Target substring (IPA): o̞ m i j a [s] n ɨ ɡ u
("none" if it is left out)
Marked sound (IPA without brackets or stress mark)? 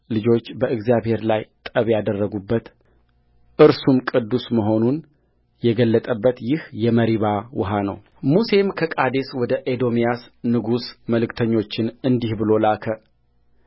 s